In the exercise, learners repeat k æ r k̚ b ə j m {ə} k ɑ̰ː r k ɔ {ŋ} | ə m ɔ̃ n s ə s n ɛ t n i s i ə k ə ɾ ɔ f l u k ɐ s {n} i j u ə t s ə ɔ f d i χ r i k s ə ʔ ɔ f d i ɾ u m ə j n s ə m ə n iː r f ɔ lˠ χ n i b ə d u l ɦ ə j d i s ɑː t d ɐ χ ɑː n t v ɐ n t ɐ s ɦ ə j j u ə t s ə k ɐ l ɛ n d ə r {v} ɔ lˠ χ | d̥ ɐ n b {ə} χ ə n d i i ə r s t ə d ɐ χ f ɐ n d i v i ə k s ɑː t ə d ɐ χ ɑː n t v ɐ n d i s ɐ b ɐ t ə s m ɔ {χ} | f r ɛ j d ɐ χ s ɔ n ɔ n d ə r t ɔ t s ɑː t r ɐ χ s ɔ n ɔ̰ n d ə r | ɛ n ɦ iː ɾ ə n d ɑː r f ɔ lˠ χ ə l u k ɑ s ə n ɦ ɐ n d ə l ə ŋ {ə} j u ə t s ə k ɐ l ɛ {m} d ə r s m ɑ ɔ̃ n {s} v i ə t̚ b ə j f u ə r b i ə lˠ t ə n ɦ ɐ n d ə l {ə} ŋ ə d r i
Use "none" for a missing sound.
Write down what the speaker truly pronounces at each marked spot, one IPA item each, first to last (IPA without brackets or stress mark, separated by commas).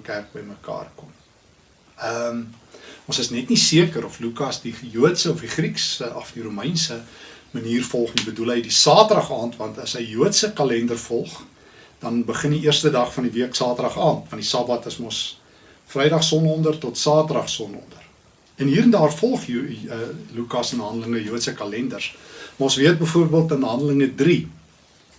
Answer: ə, m, d, f, ə, s, ə, n, s, ə